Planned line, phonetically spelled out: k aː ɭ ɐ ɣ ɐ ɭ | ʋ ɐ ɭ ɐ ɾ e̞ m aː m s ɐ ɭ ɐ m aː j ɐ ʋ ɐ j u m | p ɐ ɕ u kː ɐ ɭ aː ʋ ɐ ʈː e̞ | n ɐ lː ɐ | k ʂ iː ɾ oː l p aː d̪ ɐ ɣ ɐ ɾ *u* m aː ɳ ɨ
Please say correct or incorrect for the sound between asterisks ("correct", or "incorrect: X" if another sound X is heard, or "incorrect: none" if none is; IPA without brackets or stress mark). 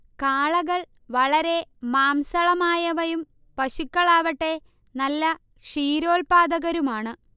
correct